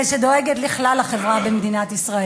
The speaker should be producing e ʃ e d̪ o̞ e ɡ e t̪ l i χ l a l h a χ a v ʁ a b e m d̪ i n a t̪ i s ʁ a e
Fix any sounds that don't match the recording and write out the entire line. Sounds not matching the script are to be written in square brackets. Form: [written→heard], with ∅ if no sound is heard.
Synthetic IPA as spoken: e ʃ e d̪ o̞ e ɡ e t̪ l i χ l a l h a χ [a→e] v ʁ a b e m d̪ i n a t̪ i s ʁ a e